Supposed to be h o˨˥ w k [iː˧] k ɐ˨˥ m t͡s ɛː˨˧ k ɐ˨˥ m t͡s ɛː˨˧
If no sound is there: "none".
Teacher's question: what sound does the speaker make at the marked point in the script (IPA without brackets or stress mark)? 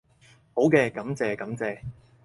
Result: ɛː˧